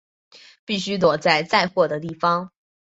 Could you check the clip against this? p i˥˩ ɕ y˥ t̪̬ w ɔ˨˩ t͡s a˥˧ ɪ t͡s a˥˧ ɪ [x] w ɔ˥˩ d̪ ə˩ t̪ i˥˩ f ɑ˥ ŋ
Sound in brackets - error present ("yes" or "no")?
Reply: no